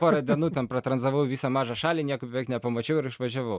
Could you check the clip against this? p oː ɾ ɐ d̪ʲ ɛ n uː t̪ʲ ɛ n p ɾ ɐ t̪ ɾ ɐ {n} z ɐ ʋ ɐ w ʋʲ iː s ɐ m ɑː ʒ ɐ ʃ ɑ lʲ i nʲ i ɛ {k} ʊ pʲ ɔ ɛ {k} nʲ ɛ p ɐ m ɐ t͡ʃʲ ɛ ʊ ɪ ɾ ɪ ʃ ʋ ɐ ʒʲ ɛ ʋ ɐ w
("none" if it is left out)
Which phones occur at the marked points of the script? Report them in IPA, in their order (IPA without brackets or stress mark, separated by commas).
n, k, k